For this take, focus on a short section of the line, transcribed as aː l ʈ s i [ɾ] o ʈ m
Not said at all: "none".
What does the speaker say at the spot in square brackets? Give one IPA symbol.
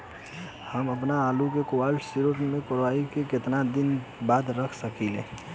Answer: ɾ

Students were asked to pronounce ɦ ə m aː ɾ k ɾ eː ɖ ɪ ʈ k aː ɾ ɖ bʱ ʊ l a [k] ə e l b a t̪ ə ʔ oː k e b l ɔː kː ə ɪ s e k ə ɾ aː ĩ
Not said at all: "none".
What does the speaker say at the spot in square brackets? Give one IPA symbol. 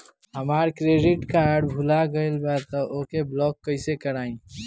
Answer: ɡ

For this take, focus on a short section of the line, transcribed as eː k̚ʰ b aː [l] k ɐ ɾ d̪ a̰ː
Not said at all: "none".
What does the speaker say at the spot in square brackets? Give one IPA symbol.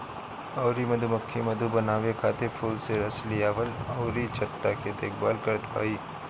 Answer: l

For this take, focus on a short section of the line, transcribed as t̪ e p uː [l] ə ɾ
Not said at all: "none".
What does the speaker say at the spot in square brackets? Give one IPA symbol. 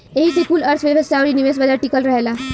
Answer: l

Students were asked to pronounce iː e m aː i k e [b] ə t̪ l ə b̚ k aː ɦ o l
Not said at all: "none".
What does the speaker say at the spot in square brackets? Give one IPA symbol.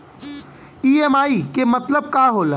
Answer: m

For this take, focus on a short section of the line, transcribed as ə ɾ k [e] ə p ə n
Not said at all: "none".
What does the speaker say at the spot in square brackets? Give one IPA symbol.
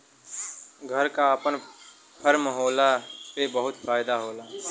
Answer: a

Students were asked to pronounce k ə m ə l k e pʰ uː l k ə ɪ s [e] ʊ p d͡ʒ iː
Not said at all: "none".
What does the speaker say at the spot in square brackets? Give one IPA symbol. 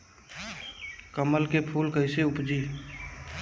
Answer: e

